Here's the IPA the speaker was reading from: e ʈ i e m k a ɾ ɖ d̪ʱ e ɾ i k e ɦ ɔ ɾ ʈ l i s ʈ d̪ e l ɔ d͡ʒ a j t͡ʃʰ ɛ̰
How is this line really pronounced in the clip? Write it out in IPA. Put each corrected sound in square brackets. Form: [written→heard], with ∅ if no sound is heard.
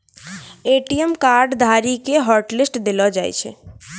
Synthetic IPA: e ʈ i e m k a ɾ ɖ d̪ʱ [e→a] ɾ i k e ɦ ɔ ɾ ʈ l i s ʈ d̪ e l ɔ d͡ʒ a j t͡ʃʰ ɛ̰